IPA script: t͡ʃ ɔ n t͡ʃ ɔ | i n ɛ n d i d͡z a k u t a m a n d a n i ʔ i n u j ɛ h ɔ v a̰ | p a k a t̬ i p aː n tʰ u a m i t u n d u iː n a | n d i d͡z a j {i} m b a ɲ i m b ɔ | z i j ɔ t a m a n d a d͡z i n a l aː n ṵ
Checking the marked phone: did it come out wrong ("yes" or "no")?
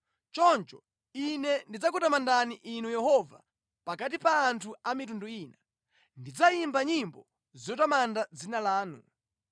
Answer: no